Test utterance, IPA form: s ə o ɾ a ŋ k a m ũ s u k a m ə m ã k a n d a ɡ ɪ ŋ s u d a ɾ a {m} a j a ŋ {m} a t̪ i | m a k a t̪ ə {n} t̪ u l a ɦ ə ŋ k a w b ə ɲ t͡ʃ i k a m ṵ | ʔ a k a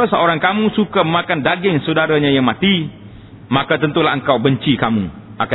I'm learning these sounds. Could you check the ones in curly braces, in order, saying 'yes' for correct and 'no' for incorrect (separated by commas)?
no, yes, yes